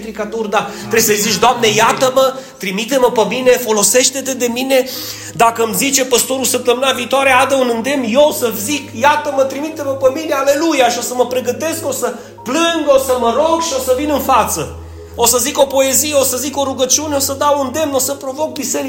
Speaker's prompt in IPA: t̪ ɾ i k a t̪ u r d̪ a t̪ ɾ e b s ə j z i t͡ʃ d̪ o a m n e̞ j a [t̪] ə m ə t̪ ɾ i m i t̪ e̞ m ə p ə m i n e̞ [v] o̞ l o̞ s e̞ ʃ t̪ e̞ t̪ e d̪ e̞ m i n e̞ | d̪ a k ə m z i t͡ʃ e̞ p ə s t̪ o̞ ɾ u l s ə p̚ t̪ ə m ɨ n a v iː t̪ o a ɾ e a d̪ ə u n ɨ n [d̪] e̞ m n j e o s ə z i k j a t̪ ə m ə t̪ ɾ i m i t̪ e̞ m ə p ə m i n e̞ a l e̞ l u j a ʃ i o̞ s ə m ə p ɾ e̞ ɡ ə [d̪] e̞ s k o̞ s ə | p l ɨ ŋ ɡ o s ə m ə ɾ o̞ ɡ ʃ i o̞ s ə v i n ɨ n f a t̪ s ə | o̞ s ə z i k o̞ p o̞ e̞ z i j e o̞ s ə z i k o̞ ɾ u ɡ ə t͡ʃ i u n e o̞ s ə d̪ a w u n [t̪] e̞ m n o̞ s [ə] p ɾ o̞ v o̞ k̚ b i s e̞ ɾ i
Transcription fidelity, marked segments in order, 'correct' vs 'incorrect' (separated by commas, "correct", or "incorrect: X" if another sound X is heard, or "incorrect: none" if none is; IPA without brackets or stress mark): correct, incorrect: f, correct, incorrect: t̪, incorrect: d̪, correct